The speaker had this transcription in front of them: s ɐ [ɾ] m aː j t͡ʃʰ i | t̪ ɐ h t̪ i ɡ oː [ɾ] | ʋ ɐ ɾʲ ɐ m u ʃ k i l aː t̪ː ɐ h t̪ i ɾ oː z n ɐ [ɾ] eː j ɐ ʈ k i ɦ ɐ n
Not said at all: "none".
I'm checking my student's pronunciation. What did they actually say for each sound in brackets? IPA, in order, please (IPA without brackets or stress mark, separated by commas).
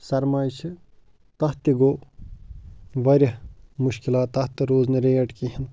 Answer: ɾ, none, ɾ